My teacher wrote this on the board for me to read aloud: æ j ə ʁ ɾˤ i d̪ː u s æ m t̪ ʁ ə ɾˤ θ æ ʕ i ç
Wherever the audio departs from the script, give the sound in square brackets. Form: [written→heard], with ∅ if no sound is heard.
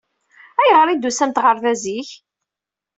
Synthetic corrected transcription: æ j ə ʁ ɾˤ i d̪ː u s æ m t̪ ʁ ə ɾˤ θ æ [ʕ→z] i ç